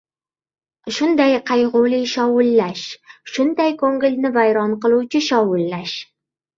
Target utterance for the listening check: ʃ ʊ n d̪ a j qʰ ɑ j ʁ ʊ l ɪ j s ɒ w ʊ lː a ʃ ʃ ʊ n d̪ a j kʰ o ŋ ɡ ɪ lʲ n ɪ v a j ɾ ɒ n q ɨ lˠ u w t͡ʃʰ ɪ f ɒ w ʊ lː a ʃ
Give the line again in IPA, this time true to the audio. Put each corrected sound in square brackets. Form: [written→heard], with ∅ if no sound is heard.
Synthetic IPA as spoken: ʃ ʊ n d̪ a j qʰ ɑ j ʁ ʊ l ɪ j [s→ʃ] ɒ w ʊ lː a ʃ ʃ ʊ n d̪ a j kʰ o ŋ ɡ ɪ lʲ n ɪ v a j ɾ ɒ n q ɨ lˠ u w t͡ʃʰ ɪ [f→ʃ] ɒ w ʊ lː a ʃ

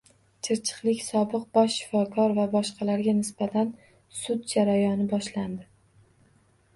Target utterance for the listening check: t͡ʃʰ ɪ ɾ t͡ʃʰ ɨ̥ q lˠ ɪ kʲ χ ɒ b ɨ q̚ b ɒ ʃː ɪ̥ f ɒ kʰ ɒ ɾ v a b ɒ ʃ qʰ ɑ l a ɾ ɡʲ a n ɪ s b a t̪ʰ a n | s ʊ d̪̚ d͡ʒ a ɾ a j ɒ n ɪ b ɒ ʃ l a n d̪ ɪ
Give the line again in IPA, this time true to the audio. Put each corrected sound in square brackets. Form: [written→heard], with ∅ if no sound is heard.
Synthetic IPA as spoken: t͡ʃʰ ɪ ɾ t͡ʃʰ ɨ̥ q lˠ ɪ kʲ [χ→s] ɒ b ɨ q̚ b ɒ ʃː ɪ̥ f ɒ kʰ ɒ ɾ v a b ɒ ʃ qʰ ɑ l a ɾ ɡʲ a n ɪ s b a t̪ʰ a n | s ʊ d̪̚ d͡ʒ a ɾ a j ɒ n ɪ b ɒ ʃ l a n d̪ ɪ

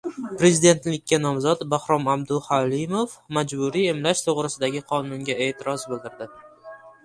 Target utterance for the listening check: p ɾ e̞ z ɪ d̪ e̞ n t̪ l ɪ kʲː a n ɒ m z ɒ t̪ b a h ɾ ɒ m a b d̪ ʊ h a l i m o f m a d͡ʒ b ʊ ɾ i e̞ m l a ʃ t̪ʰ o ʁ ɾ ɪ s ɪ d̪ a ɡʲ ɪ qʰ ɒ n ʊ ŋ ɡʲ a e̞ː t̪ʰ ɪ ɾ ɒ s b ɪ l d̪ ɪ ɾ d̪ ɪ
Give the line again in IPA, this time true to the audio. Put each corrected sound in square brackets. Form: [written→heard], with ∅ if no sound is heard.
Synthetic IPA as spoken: p ɾ e̞ z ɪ d̪ e̞ n t̪ l ɪ kʲː a n ɒ m z ɒ t̪ b a h ɾ ɒ m a b d̪ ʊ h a l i m o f m a d͡ʒ b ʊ ɾ i e̞ m l a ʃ t̪ʰ o ʁ ɾ ɪ s ɪ d̪ a ɡʲ ɪ qʰ ɒ n ʊ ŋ ɡʲ a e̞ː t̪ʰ ɪ ɾ ɒ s b ɪ l d̪ ɪ ɾ d̪ ɪ

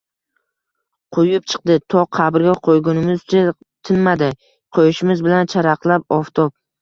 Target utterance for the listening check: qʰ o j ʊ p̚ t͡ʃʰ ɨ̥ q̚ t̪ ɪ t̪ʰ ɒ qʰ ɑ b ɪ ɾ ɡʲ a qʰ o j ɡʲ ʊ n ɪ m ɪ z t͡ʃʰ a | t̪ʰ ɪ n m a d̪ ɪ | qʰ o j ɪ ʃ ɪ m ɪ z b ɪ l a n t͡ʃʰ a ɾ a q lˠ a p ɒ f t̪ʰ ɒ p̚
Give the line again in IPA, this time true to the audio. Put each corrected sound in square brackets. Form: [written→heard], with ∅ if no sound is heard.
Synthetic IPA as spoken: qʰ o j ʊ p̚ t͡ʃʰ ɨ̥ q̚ [t̪→d̪] ɪ t̪ʰ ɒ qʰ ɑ b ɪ ɾ ɡʲ a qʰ o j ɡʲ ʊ n ɪ m ɪ z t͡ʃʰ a | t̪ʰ ɪ n m a d̪ ɪ | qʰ o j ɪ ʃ ɪ m ɪ z b ɪ l a n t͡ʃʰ a ɾ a q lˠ a p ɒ f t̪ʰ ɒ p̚

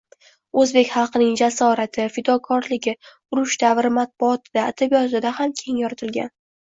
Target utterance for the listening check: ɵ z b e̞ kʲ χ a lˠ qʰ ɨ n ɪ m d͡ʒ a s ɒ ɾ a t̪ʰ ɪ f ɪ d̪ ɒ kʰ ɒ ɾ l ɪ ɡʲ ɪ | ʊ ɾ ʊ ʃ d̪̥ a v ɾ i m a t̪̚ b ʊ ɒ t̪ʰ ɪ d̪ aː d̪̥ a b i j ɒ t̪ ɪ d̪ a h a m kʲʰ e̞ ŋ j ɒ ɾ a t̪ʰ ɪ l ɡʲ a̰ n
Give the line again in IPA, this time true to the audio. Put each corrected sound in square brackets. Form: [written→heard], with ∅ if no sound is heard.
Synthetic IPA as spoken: ɵ z b e̞ kʲ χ [a→ɑ] lˠ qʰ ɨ n ɪ [m→ŋ] d͡ʒ a s ɒ ɾ a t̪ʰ ɪ f ɪ d̪ ɒ kʰ ɒ ɾ l ɪ ɡʲ ɪ | ʊ ɾ ʊ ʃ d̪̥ a v ɾ [i→ɪ] m a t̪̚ b ʊ ɒ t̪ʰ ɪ d̪ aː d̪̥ a b i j ɒ t̪ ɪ d̪ a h a m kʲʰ e̞ ŋ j ɒ ɾ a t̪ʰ ɪ l ɡʲ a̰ n

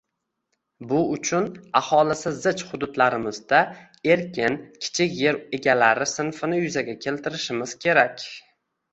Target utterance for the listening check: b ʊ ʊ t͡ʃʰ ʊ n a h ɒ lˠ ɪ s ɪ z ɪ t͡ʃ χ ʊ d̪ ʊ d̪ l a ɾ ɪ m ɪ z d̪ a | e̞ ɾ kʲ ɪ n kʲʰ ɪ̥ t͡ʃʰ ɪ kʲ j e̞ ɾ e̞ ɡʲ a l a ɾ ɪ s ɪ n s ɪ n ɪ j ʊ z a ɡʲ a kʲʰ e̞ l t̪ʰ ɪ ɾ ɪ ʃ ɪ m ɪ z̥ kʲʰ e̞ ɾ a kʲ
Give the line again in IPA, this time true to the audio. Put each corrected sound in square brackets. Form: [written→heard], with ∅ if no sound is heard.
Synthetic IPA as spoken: b ʊ ʊ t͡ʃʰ ʊ n a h ɒ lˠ ɪ s ɪ z ɪ t͡ʃ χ ʊ d̪ ʊ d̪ l a ɾ ɪ m ɪ z d̪ a | e̞ ɾ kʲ ɪ n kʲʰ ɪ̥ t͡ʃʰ ɪ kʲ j e̞ ɾ e̞ ɡʲ a l a ɾ ɪ s ɪ n [s→f] ɪ n ɪ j ʊ z a ɡʲ a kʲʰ e̞ l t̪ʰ ɪ ɾ ɪ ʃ ɪ m ɪ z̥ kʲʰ e̞ ɾ a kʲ

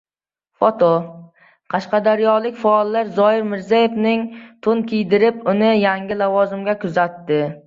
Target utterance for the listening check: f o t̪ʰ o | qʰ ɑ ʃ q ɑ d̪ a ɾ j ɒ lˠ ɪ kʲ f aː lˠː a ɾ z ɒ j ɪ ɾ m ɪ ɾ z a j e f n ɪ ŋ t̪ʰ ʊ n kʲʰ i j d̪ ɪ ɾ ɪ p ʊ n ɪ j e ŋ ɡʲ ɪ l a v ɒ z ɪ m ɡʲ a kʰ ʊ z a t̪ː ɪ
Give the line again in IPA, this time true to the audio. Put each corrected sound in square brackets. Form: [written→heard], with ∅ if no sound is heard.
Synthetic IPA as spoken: f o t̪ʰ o | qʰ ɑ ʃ q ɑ d̪ a ɾ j ɒ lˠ ɪ kʲ f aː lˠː a ɾ z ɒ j ɪ ɾ m ɪ ɾ z a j e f n ɪ ŋ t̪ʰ ʊ n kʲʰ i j d̪ ɪ ɾ ɪ p ʊ n ɪ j [e→a] ŋ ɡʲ ɪ l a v ɒ z ɪ m ɡʲ a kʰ ʊ z a t̪ː ɪ

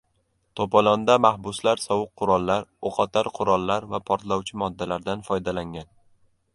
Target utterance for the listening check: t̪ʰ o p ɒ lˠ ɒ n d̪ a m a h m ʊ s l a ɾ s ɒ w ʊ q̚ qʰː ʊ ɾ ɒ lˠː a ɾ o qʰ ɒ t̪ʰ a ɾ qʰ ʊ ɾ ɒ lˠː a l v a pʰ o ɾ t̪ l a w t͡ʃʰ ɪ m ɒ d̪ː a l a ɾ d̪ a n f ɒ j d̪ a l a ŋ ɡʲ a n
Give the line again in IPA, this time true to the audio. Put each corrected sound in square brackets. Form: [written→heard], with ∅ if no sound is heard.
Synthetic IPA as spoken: t̪ʰ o p ɒ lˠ ɒ n d̪ a m a h [m→b] ʊ s l a ɾ s ɒ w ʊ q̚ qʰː ʊ ɾ ɒ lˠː a ɾ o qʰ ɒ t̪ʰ a ɾ qʰ ʊ ɾ ɒ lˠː a [l→ɾ] v a pʰ [o→ɒ] ɾ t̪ l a w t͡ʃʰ ɪ m ɒ d̪ː a l a ɾ d̪ a n f ɒ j d̪ a l a ŋ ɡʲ a n

